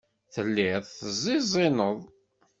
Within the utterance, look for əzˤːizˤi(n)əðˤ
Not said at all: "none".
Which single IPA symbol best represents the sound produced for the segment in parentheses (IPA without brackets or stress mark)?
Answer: n